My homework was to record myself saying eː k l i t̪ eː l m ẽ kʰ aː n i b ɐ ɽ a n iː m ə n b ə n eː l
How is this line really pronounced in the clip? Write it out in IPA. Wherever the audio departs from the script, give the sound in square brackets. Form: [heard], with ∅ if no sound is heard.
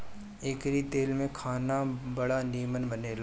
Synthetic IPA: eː k [ɾ] i t̪ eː l m ẽ kʰ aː n [a] b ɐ ɽ a n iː m ə n b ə n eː l